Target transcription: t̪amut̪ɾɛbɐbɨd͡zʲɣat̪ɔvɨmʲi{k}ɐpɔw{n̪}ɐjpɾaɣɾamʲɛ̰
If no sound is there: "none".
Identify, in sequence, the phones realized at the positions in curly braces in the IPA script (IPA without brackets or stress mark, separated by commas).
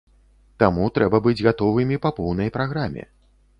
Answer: p, n̪